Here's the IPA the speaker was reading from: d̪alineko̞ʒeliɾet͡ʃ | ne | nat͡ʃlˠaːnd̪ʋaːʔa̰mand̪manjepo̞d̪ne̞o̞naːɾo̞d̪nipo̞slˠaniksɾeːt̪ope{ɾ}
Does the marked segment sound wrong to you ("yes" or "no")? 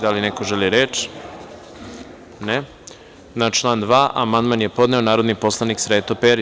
no